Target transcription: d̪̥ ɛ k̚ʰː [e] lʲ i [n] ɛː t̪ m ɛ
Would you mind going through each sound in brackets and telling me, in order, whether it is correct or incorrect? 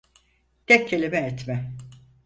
correct, incorrect: m

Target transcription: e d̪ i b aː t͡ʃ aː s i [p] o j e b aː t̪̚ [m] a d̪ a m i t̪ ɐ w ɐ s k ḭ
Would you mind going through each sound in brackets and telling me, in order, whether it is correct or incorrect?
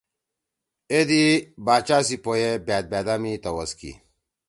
correct, incorrect: b

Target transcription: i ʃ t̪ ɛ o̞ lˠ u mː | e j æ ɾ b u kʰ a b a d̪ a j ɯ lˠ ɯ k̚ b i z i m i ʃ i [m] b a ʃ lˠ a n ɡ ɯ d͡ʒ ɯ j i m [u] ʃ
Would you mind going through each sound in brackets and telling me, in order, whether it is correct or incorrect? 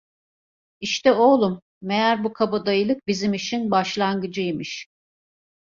incorrect: n, incorrect: ɯ

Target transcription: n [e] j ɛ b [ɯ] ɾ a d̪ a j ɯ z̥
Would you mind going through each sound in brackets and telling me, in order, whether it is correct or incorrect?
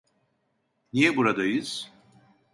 incorrect: i, incorrect: u

